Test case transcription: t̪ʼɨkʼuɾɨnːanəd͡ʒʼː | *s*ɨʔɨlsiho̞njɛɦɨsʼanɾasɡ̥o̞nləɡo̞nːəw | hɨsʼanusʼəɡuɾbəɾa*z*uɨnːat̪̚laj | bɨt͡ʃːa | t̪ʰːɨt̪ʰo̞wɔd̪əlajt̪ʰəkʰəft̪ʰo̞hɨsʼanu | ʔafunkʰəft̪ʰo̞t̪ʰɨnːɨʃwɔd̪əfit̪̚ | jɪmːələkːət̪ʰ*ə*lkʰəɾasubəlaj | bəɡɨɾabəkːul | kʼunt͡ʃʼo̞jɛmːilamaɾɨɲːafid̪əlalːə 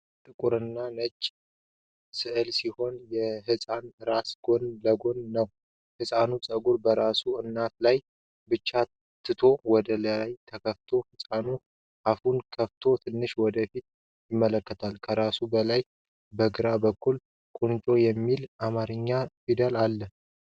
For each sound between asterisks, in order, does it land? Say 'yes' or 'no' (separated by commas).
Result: yes, no, no